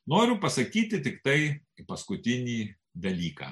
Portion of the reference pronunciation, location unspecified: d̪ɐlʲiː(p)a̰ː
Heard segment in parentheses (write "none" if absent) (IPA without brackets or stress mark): k